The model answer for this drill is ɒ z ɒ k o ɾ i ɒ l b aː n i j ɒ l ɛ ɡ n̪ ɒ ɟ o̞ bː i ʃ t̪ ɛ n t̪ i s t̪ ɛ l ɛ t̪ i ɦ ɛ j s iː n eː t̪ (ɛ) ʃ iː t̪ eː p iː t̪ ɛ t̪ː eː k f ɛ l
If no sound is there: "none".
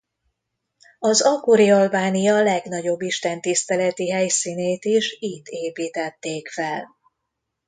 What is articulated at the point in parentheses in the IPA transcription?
i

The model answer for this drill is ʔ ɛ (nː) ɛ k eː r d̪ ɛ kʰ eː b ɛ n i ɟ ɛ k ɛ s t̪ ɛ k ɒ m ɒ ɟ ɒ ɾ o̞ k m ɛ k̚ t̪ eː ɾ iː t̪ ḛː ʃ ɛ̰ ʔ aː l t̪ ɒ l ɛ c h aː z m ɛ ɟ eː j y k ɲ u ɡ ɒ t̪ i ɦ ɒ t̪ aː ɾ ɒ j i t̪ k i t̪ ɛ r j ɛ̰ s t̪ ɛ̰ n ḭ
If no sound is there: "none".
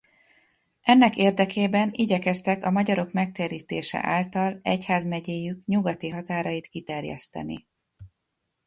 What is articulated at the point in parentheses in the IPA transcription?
nː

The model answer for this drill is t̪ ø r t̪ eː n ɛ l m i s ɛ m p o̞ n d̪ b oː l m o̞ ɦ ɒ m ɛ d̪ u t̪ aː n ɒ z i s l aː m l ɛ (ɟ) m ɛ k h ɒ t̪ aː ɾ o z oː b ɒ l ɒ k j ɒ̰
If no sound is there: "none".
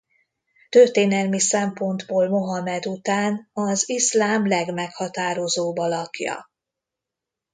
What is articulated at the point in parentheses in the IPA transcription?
ɡ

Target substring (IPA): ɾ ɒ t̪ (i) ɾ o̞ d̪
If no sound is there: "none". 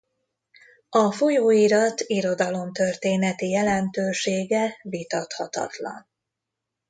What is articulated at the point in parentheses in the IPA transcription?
i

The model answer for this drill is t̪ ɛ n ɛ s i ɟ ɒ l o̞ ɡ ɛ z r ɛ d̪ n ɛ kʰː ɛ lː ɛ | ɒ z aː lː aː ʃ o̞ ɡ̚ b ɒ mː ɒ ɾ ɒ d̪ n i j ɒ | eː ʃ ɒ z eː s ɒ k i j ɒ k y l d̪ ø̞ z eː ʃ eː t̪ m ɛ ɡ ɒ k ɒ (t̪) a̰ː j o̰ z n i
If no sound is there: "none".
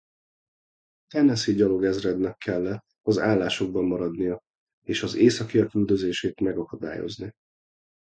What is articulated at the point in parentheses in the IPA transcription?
d̪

